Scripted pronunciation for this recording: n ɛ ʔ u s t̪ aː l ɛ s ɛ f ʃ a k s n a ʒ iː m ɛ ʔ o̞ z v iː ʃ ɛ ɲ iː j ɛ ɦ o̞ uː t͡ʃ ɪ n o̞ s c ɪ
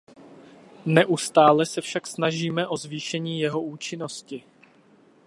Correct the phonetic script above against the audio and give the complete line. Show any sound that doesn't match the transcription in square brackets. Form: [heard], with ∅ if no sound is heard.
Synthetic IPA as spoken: n ɛ ʔ u s t̪ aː l ɛ s ɛ f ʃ a k s n a ʒ iː m ɛ ʔ o̞ z v iː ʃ ɛ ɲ iː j ɛ ɦ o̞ uː t͡ʃ ɪ n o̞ s c ɪ